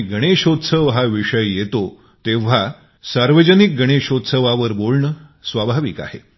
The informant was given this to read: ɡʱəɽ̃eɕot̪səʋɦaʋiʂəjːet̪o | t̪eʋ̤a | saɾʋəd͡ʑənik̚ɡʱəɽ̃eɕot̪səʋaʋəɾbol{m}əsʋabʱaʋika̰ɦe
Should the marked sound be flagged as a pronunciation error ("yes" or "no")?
yes